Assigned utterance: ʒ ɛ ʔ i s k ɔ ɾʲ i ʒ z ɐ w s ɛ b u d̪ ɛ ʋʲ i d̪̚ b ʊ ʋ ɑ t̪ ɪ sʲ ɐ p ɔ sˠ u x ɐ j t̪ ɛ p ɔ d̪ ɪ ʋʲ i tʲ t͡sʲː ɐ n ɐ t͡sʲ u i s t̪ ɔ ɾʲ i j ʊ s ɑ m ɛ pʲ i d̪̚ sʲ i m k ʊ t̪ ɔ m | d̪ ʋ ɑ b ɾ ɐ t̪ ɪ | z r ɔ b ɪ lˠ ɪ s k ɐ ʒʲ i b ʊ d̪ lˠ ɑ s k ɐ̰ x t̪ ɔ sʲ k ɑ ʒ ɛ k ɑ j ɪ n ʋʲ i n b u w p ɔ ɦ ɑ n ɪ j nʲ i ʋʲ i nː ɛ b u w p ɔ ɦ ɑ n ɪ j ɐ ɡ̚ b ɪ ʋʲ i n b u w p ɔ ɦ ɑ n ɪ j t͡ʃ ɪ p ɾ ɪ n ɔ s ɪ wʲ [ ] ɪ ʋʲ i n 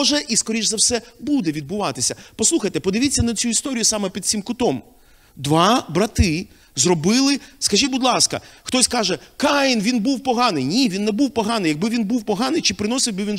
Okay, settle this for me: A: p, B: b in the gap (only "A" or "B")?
B